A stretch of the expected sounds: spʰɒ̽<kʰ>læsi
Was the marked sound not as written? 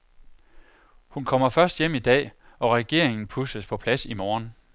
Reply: yes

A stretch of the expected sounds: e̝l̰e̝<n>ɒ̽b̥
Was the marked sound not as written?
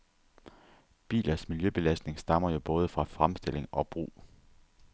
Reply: yes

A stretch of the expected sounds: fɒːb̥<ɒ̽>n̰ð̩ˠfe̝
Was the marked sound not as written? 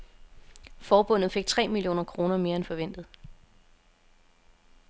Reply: yes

